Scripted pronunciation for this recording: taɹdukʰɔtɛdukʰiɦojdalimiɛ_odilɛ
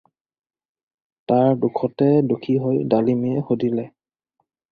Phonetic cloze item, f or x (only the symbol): x